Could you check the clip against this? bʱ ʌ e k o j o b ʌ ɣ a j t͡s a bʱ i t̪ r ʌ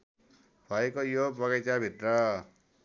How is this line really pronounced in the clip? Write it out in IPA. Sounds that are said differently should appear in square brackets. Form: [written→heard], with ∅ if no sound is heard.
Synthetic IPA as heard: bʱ ʌ e k o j o b ʌ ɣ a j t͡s a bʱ i t̪ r ʌ